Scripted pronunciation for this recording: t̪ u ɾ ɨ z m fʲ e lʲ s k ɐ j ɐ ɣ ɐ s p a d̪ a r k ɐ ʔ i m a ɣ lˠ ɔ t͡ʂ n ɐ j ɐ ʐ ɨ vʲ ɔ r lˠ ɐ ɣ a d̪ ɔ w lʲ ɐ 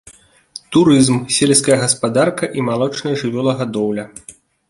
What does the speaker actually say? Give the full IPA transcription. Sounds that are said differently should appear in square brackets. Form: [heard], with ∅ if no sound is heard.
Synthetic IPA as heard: t̪ u ɾ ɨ z m [sʲ] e lʲ s k ɐ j ɐ ɣ ɐ s p a d̪ a r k ɐ ʔ i m a [∅] lˠ ɔ t͡ʂ n ɐ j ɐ ʐ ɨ vʲ ɔ [∅] lˠ ɐ ɣ a d̪ ɔ w lʲ ɐ